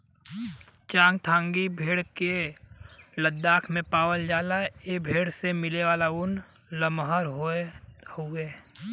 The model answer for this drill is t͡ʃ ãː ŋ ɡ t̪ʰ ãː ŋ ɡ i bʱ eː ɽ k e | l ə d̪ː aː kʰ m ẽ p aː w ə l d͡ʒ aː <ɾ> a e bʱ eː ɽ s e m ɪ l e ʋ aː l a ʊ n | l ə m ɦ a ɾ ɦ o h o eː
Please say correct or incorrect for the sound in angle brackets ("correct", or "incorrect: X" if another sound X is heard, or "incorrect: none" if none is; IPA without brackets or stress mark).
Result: incorrect: l